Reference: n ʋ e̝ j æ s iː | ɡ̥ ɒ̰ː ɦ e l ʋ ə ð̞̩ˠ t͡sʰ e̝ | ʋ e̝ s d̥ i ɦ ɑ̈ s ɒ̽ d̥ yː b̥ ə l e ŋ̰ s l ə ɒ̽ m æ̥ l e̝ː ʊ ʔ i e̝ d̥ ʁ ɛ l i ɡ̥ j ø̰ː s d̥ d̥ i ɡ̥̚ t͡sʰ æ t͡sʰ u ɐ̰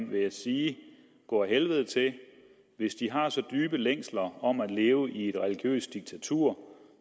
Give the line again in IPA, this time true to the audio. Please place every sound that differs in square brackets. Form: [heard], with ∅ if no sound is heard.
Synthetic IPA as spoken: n ʋ e̝ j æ s iː | ɡ̥ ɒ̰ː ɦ e l ʋ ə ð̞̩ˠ t͡sʰ e̝ | ʋ e̝ s d̥ i ɦ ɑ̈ s ɒ̽ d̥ yː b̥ ə l e ŋ̰ s l [ɐ] ɒ̽ m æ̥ l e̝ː ʊ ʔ i e̝ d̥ ʁ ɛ l i ɡ̥ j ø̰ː s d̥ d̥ i ɡ̥̚ t͡sʰ æ t͡sʰ u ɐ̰